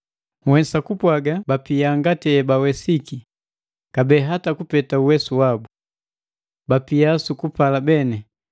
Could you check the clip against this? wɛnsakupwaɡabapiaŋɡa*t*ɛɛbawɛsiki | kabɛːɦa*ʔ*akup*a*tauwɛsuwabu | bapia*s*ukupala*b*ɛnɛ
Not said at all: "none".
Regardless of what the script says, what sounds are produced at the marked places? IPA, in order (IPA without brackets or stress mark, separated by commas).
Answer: t, t, ɛ, s, b